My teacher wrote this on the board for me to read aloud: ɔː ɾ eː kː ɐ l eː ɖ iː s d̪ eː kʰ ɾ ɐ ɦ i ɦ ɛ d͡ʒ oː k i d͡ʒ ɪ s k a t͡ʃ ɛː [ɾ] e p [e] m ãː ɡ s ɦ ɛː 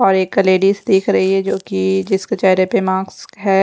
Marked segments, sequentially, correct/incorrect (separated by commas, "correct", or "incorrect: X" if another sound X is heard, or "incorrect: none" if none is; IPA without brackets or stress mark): correct, correct